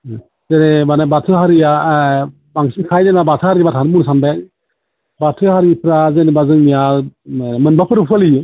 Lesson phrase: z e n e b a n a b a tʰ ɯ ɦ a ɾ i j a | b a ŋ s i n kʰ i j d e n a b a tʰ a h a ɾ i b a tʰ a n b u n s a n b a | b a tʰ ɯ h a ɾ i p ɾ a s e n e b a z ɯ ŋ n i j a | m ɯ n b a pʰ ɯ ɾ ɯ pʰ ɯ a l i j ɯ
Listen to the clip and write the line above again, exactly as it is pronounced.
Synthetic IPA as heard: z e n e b a n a b a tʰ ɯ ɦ a ɾ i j a | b a ŋ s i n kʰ a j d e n a b a tʰ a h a ɾ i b a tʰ a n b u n s a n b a | b a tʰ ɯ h a ɾ i p ɾ a z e n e b a z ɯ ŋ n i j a | m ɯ n b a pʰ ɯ ɾ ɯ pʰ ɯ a l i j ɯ